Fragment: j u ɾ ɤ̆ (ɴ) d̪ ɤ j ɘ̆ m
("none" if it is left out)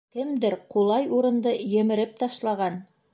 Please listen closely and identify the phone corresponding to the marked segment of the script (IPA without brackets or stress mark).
n